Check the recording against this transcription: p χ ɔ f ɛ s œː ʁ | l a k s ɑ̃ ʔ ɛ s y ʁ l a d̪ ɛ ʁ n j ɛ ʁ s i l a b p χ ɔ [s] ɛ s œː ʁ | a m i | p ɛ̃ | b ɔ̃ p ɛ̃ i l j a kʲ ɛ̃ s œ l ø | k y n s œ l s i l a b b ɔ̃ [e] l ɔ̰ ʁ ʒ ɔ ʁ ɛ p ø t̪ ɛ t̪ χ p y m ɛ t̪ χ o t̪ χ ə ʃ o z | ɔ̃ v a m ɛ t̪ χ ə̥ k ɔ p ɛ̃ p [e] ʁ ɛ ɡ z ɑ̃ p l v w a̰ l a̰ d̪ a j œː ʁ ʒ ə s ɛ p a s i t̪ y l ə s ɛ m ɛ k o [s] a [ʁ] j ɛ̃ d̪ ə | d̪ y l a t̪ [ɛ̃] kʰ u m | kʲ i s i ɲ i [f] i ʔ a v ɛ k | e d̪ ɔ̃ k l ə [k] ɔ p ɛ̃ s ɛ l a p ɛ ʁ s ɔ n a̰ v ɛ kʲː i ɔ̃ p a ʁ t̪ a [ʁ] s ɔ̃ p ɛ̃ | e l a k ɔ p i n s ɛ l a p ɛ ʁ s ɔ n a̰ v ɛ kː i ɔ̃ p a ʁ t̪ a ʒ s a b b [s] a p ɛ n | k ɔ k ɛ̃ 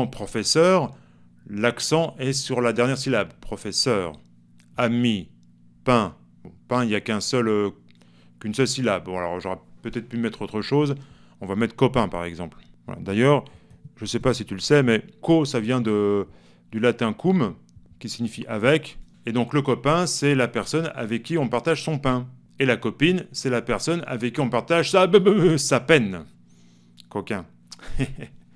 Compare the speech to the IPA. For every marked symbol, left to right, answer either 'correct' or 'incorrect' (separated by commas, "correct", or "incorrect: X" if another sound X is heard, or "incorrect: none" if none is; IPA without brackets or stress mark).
incorrect: f, incorrect: a, incorrect: a, correct, incorrect: v, correct, correct, correct, incorrect: ʒ, correct